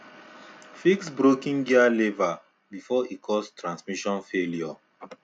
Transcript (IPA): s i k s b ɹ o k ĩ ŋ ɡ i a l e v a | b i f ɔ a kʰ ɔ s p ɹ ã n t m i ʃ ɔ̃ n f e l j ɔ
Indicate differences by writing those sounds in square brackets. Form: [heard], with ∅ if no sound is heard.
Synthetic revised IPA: [f] i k s b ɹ o k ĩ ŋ ɡ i a l e v a | b i f ɔ [i] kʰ ɔ s [t] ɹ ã n [s] m i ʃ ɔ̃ n f e l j ɔ